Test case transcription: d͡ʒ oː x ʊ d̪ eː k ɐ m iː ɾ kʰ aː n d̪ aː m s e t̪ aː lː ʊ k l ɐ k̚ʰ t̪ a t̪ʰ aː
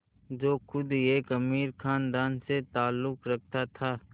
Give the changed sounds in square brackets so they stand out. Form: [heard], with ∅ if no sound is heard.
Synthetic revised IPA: d͡ʒ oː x ʊ d̪ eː k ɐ m iː ɾ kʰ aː n d̪ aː [n] s e t̪ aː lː ʊ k [ɾ] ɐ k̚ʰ t̪ a t̪ʰ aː